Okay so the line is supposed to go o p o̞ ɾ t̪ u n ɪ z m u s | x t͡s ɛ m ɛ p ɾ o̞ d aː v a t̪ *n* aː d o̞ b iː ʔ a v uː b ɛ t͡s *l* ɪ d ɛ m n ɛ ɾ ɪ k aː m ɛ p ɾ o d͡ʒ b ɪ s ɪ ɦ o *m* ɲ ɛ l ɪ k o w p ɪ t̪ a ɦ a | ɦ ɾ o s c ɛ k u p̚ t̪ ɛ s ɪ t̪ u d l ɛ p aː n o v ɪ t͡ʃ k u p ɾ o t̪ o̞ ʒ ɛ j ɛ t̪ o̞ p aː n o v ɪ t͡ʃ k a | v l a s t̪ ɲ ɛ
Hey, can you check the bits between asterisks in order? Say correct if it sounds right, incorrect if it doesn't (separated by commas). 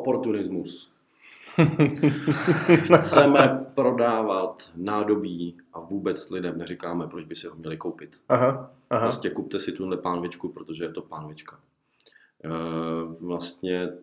correct, correct, correct